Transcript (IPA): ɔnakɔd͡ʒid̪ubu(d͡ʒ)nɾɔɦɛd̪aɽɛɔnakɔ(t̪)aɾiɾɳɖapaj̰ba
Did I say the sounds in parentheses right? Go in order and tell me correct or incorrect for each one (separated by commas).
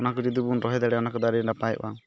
incorrect, incorrect